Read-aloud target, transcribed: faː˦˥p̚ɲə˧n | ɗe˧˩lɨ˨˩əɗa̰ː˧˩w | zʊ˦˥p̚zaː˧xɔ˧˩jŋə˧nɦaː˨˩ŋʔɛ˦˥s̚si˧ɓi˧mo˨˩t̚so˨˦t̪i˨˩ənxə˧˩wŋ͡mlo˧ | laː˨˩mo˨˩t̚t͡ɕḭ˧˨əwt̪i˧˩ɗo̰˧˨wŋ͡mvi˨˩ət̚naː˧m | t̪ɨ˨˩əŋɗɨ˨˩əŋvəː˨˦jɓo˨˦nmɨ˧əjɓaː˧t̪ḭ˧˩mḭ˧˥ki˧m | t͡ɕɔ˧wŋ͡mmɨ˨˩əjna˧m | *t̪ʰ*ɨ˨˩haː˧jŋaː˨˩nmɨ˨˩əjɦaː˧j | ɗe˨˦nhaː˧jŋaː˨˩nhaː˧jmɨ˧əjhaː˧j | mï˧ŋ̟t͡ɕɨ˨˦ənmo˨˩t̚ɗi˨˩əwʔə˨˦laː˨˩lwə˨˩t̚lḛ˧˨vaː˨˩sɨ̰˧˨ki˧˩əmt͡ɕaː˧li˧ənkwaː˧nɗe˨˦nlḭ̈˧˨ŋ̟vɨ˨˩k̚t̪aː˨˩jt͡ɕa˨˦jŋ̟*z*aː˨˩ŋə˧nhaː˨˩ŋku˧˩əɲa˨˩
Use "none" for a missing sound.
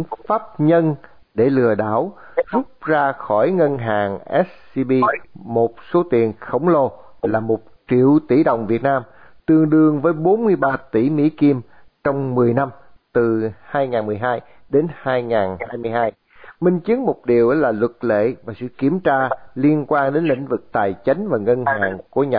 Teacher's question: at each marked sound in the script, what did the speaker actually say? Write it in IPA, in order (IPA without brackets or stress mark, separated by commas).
t̪, v